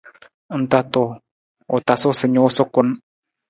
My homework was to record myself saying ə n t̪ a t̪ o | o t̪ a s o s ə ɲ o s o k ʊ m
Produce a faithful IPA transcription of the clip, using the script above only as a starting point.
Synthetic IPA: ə n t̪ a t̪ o | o t̪ a s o s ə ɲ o s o k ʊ n